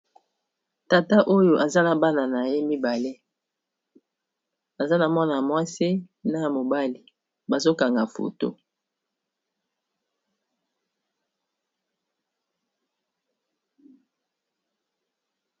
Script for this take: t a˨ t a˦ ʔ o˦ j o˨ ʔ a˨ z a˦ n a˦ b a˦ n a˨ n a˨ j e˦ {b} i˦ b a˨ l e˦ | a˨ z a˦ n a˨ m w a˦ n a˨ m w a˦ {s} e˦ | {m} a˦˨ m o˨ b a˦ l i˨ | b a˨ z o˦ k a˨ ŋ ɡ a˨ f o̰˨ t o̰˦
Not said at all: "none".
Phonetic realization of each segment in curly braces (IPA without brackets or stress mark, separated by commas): m, s, n